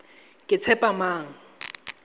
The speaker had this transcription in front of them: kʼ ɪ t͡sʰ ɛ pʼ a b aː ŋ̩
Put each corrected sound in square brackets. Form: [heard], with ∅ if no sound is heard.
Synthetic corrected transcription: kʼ ɪ t͡sʰ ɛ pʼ a [m] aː ŋ̩